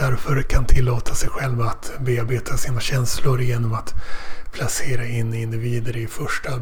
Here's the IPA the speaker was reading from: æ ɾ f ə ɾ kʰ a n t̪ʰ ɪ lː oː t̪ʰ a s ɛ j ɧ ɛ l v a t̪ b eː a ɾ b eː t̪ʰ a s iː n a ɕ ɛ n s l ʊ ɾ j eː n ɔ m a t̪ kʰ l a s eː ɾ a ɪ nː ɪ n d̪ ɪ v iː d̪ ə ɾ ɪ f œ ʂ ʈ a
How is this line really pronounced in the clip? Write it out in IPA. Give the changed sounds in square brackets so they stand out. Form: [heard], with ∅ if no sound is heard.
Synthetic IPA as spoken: æ ɾ f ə ɾ kʰ a n t̪ʰ ɪ lː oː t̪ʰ a s ɛ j ɧ ɛ l v a t̪ b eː a ɾ b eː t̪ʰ a s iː n a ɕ ɛ n s l ʊ ɾ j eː n ɔ m a t̪ [pʰ] l a s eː ɾ a ɪ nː ɪ n d̪ ɪ v iː d̪ ə ɾ ɪ f œ ʂ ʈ a